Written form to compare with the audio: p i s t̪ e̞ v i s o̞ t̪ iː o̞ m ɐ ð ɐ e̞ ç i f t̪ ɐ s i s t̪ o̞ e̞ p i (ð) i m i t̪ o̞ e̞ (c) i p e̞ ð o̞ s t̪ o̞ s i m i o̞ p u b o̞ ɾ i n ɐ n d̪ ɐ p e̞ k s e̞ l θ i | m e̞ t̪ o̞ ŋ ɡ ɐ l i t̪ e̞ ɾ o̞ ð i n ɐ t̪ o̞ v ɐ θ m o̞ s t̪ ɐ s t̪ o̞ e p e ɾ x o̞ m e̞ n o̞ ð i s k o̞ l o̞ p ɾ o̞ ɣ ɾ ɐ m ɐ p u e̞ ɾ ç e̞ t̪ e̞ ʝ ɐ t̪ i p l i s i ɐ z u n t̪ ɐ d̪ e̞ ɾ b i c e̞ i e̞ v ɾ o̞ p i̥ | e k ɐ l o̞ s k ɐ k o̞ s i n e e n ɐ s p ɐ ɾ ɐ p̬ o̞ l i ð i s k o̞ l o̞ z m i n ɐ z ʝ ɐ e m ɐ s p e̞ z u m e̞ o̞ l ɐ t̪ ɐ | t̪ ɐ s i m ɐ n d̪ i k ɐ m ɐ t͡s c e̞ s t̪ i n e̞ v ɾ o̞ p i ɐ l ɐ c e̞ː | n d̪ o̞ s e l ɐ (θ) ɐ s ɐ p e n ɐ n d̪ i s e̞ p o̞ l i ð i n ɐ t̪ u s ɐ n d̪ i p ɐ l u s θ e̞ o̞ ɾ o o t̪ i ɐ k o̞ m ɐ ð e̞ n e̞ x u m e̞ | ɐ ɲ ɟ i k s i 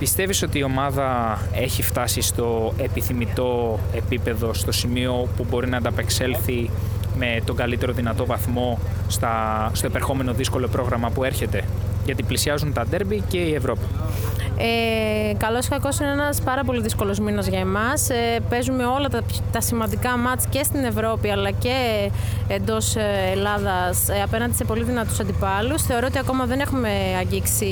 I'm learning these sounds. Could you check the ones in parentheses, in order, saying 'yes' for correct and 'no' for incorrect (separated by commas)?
no, no, no